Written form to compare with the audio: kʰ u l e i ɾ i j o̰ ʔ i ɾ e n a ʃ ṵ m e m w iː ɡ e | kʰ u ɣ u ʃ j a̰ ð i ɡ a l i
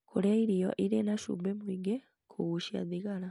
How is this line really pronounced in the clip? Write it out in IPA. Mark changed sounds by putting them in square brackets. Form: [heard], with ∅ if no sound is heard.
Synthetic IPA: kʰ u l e i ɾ i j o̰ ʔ i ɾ e n a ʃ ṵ [b] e m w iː ɡ e | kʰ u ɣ u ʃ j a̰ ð i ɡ a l [a]

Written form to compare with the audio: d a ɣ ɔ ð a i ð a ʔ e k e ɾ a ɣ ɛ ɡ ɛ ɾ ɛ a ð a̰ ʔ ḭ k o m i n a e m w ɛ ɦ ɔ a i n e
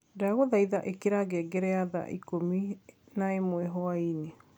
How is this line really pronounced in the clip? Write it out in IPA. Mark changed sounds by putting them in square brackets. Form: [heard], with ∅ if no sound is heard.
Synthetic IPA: d a ɣ [o] ð a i ð a ʔ e k e ɾ a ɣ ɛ ɡ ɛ ɾ ɛ a ð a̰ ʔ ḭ k o m i n a e m w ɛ ɦ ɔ a i n e

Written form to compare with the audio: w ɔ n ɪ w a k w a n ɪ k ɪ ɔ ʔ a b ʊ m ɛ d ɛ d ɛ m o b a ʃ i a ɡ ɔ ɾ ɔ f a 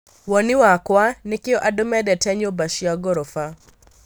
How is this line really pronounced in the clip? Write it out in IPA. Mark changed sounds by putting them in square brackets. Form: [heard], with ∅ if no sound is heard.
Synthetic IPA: w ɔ n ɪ w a k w a n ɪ k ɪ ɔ ʔ a [d] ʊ m ɛ d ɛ [t] ɛ [ɲ] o b a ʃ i a ɡ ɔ ɾ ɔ f a

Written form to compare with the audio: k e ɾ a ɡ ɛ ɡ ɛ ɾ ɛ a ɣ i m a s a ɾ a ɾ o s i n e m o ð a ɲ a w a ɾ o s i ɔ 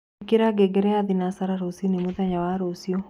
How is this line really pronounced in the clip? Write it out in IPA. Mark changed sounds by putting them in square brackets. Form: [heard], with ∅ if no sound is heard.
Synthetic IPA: k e ɾ a ɡ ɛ ɡ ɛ ɾ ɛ a [ð] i [n] a s a ɾ a ɾ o s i n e m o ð a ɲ a w a ɾ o s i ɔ

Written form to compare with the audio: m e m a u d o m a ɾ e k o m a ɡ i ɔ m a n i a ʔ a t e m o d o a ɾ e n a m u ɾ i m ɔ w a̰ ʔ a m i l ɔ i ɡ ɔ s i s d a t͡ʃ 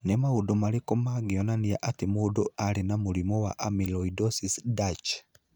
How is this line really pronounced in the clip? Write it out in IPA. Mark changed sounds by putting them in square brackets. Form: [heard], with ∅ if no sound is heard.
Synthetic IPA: [n] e m a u d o m a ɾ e k o m a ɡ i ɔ [n] a n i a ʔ a t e m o d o a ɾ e n a m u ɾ i m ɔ w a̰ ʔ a m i l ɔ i [d] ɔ s i s d a t͡ʃ

